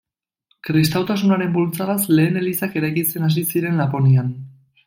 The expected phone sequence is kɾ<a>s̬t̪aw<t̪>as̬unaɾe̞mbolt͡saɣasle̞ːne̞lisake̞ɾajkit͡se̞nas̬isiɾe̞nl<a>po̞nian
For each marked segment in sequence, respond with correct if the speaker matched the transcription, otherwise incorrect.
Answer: incorrect, correct, correct

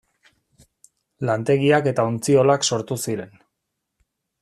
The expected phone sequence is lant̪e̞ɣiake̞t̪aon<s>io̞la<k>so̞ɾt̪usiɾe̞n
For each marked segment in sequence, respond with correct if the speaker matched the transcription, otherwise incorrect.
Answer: incorrect, correct

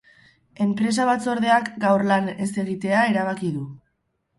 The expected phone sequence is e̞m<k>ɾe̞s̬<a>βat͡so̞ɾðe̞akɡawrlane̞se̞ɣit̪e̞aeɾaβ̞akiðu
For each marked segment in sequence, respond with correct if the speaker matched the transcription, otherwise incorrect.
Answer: incorrect, correct

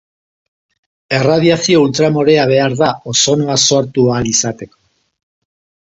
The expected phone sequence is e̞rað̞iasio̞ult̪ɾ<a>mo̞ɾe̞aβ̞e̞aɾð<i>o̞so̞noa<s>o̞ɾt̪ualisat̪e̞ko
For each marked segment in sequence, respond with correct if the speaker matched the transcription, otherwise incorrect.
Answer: correct, incorrect, correct

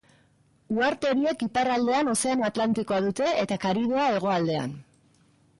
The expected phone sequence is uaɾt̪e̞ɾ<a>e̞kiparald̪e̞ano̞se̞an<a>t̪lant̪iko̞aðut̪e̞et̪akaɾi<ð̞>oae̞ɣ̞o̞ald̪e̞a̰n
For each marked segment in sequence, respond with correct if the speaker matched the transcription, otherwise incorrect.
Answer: incorrect, correct, correct

